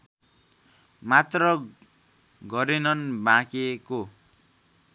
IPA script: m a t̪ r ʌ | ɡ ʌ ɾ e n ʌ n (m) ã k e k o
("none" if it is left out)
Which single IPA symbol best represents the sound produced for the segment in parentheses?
b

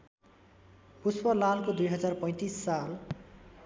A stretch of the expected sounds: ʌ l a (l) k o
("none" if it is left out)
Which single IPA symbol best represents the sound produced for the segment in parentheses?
l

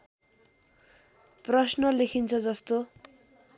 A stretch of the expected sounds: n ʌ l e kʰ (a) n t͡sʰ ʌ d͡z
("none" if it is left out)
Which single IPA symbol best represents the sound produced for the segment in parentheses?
i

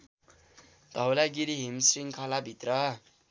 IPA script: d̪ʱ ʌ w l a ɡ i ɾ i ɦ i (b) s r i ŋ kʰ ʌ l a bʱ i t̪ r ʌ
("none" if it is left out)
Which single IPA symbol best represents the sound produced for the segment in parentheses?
m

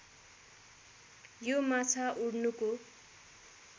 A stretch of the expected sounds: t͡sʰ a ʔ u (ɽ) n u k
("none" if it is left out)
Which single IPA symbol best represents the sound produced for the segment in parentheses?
ɽ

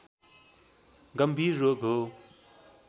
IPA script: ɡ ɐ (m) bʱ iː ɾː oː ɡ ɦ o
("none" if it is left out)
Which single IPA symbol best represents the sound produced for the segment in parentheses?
m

